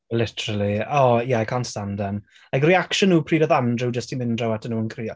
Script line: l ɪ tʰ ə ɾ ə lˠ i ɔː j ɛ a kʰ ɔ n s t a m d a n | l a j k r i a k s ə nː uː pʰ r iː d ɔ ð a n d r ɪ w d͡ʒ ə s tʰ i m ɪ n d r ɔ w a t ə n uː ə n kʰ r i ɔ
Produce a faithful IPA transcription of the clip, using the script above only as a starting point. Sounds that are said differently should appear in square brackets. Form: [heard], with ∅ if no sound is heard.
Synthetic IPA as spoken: l ɪ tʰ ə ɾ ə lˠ i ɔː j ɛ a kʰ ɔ n s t a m d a n | l a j k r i a k [ʃ] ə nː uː pʰ r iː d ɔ ð a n d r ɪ w d͡ʒ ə s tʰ i m ɪ n d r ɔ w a t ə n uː ə n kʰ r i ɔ